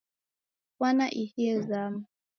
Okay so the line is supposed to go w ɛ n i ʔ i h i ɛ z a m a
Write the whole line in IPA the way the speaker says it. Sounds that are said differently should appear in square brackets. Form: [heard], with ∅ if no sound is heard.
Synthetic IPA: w [a] n [a] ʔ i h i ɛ z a m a